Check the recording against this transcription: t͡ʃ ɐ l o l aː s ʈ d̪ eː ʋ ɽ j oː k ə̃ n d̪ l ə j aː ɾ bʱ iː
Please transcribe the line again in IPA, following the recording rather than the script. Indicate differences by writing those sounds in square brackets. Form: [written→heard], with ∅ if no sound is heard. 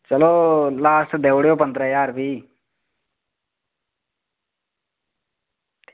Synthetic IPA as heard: t͡ʃ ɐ l o l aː s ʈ d̪ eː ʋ ɽ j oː [k→p] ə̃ n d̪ [l→ɾ] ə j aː ɾ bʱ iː